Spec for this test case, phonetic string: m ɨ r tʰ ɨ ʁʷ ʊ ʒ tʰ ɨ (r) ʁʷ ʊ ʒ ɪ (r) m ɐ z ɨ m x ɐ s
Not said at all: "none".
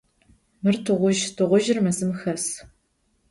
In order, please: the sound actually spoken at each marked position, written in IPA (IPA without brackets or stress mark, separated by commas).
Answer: none, r